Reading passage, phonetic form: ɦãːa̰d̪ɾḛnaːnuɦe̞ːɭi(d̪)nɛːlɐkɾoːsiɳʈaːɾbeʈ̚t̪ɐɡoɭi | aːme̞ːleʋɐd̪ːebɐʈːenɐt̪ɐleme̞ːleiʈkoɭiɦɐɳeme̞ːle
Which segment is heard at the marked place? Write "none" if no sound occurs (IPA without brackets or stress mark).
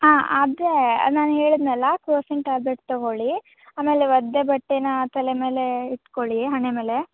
d̪